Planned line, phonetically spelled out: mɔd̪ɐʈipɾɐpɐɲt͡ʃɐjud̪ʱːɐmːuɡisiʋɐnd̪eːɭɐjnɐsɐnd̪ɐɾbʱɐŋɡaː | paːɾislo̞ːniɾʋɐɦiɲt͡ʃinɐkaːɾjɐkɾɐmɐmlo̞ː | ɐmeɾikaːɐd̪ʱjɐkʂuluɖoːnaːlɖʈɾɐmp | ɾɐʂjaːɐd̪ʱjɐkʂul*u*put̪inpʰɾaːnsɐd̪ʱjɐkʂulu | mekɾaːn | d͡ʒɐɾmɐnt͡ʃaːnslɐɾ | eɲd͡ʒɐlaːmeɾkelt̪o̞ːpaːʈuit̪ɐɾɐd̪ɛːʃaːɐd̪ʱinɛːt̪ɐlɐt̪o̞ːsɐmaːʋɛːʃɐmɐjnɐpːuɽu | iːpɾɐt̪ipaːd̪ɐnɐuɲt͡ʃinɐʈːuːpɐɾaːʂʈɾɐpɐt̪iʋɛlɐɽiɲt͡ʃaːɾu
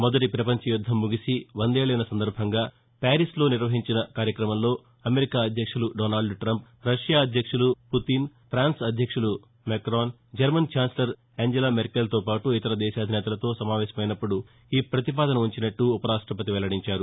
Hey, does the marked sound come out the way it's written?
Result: yes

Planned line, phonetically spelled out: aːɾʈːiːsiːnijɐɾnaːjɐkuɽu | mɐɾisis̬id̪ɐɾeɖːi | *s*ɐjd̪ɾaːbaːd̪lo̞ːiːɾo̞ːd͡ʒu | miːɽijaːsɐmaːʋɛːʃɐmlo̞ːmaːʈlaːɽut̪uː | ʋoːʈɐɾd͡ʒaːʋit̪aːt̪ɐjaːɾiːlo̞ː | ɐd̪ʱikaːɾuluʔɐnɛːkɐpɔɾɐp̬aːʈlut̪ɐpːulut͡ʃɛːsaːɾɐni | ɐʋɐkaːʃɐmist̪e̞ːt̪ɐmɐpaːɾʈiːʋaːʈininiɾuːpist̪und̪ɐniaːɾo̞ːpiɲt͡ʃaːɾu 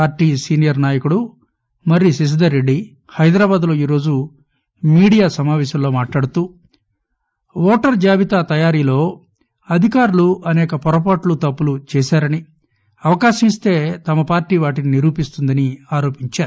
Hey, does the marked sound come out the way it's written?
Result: no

